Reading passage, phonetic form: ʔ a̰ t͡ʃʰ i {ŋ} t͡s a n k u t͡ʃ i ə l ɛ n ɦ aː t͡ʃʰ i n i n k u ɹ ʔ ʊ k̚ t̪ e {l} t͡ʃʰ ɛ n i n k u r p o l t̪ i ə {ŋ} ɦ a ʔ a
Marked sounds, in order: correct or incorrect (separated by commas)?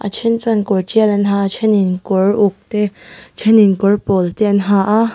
incorrect, incorrect, incorrect